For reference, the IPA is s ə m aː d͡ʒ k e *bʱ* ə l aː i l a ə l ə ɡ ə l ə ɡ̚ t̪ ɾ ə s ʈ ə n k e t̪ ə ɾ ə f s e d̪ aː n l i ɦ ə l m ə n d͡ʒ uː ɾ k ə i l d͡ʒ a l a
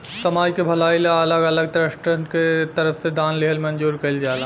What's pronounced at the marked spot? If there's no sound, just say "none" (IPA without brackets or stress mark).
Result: bʱ